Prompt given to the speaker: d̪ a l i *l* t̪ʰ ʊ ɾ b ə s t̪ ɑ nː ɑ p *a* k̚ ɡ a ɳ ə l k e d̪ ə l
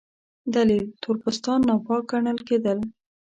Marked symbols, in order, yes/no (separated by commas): yes, no